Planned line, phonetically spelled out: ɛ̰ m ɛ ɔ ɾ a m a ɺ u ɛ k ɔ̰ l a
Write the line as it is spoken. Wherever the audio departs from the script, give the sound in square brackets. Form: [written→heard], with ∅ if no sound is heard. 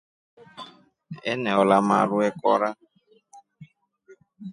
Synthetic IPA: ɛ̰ [m→n] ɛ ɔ [ɾ→l] a m a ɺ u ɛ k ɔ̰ [l→ɾ] a